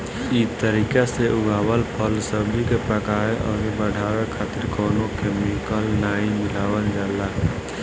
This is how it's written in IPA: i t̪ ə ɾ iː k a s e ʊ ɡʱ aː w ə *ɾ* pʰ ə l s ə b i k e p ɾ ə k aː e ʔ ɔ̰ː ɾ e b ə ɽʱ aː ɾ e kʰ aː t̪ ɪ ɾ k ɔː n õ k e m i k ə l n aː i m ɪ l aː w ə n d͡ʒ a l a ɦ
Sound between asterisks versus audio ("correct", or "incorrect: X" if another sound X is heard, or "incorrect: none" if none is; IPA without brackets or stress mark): incorrect: l